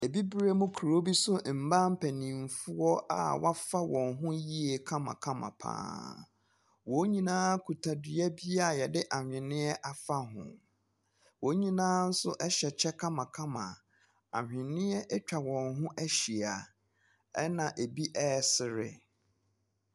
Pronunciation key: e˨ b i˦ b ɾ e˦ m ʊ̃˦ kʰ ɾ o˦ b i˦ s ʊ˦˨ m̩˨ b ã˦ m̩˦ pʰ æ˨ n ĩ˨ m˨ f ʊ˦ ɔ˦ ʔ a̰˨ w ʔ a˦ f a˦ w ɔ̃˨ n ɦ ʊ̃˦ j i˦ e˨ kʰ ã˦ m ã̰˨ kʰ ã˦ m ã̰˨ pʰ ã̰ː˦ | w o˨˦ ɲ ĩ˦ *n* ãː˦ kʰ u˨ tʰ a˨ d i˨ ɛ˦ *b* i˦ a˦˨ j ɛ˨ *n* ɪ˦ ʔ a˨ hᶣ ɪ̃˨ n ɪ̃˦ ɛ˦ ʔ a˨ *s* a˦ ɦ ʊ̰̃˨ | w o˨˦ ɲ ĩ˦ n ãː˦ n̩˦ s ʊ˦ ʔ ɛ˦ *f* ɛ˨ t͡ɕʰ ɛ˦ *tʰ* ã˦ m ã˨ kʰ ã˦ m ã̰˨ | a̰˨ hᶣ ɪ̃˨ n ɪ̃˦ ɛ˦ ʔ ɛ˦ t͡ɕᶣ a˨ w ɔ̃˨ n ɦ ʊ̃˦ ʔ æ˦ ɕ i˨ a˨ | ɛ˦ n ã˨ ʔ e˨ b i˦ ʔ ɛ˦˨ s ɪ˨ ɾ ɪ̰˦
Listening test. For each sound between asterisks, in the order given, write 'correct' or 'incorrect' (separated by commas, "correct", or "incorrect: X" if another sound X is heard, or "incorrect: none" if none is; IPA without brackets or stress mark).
correct, correct, incorrect: d, incorrect: f, incorrect: ɕ, incorrect: kʰ